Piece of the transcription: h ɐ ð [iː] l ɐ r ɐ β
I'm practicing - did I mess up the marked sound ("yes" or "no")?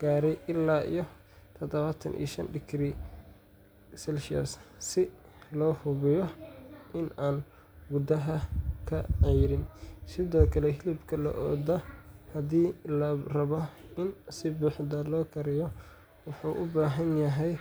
no